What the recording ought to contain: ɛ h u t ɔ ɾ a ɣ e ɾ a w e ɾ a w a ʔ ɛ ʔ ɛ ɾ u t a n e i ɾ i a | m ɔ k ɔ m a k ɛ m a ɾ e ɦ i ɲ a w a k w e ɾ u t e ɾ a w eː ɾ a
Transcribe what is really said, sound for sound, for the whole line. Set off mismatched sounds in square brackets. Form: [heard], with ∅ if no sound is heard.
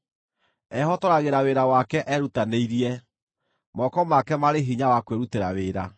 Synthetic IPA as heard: ɛ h [ɔ] t ɔ ɾ a ɣ e ɾ a w e ɾ a w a [k] ɛ ʔ ɛ ɾ u t a n e i ɾ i [ɛ] | m ɔ k ɔ m a k ɛ m a ɾ e ɦ i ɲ a w a k w e ɾ u t e ɾ a w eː ɾ a